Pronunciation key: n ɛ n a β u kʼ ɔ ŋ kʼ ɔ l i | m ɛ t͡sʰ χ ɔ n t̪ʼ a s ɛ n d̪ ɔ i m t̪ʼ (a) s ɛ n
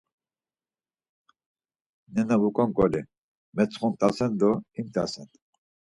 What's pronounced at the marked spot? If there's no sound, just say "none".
a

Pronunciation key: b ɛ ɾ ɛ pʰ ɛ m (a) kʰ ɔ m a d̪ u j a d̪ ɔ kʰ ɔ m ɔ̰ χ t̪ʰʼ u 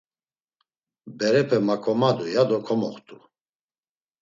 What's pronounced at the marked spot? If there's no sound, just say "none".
a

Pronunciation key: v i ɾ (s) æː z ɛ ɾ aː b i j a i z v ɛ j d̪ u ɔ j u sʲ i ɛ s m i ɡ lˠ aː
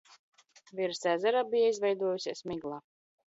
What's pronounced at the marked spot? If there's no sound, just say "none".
s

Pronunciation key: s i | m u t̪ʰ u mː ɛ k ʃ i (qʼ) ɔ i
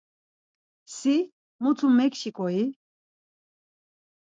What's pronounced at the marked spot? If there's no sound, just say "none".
kʼ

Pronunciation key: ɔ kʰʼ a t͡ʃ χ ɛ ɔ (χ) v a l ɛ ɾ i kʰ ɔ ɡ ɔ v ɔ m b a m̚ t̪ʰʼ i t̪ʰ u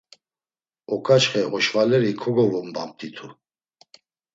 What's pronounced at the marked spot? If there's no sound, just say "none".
ʃ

